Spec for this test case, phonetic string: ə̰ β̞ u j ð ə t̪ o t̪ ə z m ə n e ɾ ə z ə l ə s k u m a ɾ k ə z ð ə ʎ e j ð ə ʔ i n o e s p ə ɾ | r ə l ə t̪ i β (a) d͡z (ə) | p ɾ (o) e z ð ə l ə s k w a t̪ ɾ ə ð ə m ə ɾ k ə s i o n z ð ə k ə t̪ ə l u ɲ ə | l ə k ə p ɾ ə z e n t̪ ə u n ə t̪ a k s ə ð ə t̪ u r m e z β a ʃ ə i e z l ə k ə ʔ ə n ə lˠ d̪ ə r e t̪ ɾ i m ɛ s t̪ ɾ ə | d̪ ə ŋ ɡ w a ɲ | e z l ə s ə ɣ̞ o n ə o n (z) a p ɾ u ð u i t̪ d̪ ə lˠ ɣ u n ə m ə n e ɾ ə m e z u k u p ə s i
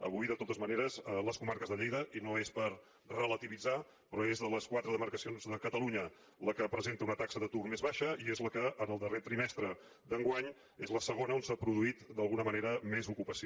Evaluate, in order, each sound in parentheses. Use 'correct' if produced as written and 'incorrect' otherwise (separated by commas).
incorrect, incorrect, incorrect, incorrect